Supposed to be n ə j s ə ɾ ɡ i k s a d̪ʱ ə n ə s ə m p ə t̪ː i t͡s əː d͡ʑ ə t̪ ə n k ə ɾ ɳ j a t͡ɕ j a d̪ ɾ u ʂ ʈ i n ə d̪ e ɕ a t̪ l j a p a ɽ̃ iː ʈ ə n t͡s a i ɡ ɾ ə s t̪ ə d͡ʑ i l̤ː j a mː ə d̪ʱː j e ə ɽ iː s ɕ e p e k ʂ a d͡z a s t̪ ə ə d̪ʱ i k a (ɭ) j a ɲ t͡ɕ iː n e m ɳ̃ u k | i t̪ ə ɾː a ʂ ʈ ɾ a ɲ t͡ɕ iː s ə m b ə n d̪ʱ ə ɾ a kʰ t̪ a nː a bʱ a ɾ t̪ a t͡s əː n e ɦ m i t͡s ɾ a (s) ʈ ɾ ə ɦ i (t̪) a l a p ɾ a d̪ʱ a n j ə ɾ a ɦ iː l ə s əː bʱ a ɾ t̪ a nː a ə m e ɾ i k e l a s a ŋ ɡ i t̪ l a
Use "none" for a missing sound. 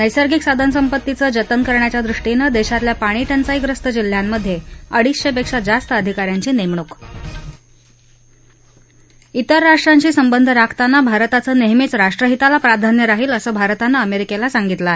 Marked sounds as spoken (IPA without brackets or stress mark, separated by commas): ɾ, ʂ, t̪